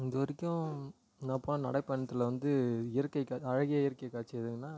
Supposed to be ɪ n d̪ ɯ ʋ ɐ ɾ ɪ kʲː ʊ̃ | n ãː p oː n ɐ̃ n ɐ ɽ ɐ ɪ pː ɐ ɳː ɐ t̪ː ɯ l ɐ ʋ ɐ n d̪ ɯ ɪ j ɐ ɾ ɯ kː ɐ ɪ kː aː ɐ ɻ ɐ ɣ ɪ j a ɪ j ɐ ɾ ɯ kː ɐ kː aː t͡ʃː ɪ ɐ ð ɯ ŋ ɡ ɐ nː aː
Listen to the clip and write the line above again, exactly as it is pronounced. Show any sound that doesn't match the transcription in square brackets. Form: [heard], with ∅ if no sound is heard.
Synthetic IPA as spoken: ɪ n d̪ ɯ ʋ ɐ ɾ ɪ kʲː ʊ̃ | n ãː p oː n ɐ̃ n ɐ ɽ ɐ ɪ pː ɐ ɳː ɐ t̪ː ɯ l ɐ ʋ ɐ n d̪ ɯ ɪ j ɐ ɾ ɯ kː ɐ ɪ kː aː ɐ ɻ ɐ ɣ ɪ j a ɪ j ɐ ɾ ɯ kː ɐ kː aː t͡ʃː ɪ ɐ ð ɯ ŋ ɡ ɐ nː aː